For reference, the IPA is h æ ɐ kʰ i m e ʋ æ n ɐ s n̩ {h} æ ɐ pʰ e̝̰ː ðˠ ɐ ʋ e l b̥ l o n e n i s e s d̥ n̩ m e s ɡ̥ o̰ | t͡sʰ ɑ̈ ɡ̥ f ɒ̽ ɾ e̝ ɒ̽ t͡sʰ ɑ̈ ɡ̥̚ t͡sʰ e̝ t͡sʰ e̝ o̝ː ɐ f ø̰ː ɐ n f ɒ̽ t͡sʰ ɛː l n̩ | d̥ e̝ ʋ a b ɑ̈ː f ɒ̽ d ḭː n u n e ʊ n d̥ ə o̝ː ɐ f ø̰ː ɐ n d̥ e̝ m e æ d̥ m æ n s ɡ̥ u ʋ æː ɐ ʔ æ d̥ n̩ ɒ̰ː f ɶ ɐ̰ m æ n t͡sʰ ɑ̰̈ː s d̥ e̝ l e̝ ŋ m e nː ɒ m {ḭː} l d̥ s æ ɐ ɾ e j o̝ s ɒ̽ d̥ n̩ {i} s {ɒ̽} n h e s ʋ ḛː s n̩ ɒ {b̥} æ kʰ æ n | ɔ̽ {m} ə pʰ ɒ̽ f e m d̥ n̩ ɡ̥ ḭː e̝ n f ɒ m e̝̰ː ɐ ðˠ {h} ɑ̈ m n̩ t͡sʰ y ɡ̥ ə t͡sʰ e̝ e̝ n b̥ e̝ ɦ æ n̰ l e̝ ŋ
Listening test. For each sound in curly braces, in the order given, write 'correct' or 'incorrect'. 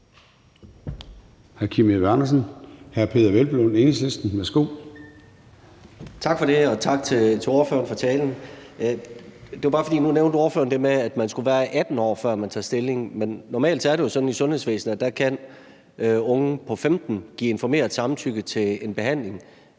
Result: correct, incorrect: ɛ̰ː, correct, incorrect: ɔ̽, incorrect: d̥, incorrect: ŋ, incorrect: s

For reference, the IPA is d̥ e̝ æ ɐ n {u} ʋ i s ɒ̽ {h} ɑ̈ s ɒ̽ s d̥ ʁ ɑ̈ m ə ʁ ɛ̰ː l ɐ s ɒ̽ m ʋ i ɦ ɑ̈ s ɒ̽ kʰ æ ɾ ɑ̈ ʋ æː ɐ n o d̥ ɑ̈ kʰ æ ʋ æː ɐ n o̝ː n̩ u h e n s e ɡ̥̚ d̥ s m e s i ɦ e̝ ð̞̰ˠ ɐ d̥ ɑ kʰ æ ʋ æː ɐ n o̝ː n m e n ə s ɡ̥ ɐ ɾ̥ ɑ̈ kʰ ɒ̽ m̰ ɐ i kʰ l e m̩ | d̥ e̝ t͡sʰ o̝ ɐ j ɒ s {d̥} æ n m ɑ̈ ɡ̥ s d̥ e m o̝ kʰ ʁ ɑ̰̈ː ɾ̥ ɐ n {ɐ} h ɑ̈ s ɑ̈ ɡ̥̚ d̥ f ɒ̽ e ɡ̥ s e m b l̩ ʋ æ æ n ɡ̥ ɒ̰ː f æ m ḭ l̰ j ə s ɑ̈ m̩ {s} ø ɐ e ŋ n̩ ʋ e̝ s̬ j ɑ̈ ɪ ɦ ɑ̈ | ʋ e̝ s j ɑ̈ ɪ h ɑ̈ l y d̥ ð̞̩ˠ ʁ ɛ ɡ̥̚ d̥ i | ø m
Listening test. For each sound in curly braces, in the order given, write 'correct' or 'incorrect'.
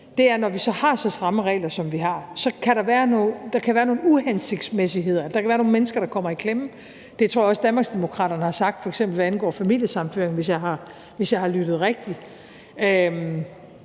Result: incorrect: ɒ, correct, correct, incorrect: ə, incorrect: f

